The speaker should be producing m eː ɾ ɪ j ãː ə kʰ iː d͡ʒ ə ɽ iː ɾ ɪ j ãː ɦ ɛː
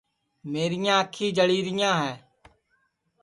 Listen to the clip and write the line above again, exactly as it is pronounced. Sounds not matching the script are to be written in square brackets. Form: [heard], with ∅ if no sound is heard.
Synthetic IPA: m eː ɾ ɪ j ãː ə kʰ iː d͡ʒ ə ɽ iː ɾ ɪ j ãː ɦ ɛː

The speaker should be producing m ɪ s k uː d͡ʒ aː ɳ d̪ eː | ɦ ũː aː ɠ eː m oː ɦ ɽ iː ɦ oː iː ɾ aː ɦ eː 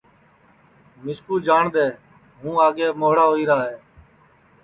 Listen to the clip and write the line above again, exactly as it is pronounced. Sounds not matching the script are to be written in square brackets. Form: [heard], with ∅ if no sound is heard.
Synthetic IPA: m ɪ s k uː d͡ʒ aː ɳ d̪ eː | ɦ ũː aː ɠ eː m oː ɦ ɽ [aː] ɦ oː iː ɾ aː ɦ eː

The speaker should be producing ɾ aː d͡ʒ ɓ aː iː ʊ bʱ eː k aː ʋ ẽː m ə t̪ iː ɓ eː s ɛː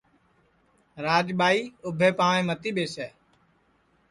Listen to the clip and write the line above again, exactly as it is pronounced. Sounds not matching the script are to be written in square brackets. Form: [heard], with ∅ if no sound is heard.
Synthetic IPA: ɾ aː d͡ʒ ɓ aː iː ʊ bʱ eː [p] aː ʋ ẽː m ə t̪ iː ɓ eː s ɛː

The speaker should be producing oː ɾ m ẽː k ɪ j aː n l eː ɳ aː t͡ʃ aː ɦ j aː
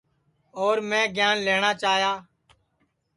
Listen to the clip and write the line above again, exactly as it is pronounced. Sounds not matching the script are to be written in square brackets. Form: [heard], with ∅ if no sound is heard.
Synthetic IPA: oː ɾ m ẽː [ɡ] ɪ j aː n l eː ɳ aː t͡ʃ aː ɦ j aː

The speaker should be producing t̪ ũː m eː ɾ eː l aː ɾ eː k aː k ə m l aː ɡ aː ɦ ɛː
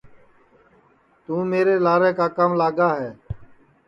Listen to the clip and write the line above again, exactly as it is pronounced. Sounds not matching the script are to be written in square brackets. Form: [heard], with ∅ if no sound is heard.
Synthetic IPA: t̪ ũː m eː ɾ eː l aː ɾ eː k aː k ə m l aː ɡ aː ɦ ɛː

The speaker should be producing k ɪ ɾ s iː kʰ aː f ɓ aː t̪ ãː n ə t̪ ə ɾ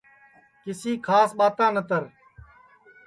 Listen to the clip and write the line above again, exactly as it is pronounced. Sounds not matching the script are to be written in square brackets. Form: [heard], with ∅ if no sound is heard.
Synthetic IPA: k ɪ [∅] s iː kʰ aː [s] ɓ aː t̪ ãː n ə t̪ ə ɾ

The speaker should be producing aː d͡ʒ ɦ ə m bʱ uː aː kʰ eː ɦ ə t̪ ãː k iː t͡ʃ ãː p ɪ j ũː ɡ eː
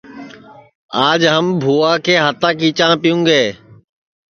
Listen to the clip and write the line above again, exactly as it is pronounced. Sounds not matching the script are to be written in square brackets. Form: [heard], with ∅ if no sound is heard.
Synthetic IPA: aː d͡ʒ ɦ ə m bʱ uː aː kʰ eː ɦ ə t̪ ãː k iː t͡ʃ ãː p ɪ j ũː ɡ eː

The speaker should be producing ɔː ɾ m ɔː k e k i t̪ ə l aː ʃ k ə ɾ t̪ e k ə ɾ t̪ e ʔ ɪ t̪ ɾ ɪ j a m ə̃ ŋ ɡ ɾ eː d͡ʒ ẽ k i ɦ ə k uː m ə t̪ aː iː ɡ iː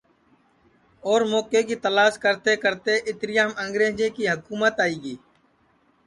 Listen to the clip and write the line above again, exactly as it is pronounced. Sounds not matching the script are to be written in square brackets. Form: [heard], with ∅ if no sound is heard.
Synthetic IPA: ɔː ɾ m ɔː k e k i t̪ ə l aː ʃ k ə ɾ t̪ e k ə ɾ t̪ e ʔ ɪ t̪ ɾ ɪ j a m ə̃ ŋ ɡ ɾ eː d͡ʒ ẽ k i ɦ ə k uː m ə t̪ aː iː ɡ iː

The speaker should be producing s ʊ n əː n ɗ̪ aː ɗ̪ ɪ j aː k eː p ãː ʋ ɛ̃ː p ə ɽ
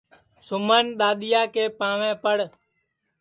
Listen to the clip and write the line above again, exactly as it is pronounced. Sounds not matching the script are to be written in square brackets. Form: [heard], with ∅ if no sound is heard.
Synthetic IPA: s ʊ [m] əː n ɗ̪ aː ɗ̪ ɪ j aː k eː p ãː ʋ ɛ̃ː p ə ɽ

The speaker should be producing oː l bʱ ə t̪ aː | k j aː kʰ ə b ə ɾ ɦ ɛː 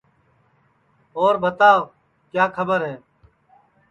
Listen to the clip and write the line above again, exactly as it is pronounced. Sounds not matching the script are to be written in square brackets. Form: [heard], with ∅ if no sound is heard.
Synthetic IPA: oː [ɾ] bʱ ə t̪ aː | k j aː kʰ ə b ə ɾ ɦ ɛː

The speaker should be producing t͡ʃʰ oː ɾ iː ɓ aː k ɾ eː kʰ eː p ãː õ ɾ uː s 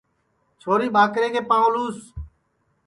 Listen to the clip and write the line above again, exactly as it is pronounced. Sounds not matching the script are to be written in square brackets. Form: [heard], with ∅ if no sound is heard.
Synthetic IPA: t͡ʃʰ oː ɾ iː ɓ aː k ɾ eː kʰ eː p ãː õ [l] uː s

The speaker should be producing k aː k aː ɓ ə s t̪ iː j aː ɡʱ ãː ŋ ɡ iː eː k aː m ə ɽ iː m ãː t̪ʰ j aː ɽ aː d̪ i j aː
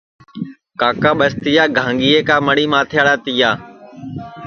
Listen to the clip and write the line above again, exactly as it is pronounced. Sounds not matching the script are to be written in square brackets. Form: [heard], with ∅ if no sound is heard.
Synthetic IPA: k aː k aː ɓ ə s t̪ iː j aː ɡʱ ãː ŋ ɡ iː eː k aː m ə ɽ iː m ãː t̪ʰ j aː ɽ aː [t̪] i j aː

